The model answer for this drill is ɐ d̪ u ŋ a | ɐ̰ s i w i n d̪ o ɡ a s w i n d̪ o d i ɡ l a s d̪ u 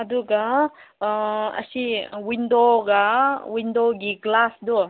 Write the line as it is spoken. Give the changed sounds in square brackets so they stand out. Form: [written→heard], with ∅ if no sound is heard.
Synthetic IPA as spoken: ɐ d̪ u [ŋ→ɡ] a | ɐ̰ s i w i n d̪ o ɡ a [s→∅] w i n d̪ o [d→ɡ] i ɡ l a s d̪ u